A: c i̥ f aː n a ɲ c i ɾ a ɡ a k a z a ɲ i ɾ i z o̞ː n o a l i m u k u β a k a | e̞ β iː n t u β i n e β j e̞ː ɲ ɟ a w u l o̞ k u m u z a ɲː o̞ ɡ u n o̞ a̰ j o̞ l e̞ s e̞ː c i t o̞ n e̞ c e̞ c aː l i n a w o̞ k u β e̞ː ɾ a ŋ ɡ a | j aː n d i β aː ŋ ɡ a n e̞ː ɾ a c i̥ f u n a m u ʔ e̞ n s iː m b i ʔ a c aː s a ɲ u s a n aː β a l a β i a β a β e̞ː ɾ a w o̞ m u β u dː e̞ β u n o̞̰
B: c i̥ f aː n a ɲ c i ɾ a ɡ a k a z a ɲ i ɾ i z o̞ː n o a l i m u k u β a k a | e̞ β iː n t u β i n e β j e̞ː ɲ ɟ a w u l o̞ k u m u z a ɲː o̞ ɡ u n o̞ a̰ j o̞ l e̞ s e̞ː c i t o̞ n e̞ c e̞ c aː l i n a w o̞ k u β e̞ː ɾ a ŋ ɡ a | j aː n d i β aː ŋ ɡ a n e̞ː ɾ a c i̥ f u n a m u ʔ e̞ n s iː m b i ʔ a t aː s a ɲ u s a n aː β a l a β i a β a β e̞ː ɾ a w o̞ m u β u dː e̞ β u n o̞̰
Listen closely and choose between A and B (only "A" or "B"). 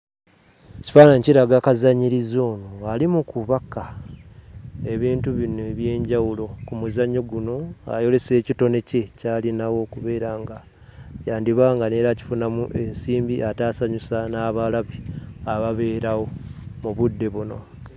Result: B